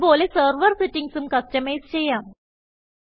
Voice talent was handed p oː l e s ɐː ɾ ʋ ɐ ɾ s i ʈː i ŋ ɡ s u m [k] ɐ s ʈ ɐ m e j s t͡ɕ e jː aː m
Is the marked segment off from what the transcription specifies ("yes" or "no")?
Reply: no